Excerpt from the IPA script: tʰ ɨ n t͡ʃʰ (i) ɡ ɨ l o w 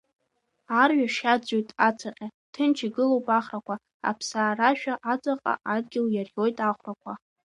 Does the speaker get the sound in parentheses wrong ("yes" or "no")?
no